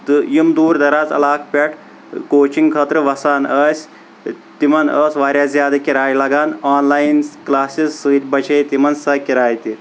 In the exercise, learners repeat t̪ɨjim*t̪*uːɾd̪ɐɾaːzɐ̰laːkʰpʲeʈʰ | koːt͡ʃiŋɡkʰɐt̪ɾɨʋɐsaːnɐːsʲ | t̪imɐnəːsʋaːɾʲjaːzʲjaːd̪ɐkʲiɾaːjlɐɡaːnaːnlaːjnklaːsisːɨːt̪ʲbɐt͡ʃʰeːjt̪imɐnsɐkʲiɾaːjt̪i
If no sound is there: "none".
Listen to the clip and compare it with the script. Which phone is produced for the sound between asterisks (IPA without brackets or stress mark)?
d̪